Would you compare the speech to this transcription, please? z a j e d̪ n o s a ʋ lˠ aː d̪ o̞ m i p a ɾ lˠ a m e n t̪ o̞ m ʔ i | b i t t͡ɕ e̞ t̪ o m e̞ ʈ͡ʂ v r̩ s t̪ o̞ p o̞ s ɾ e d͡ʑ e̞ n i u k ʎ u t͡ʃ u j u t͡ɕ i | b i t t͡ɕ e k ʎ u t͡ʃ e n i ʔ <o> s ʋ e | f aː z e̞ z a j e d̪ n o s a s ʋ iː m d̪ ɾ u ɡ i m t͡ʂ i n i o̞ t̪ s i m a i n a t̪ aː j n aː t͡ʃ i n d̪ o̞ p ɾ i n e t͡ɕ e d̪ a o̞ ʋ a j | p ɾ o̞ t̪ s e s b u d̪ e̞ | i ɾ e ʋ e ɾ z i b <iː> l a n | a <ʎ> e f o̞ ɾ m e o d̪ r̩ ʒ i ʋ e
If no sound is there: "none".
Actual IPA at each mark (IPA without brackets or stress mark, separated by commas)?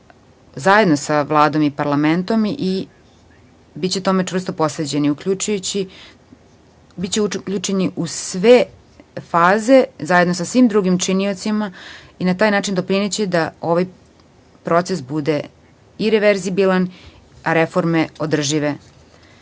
u, i, ɾ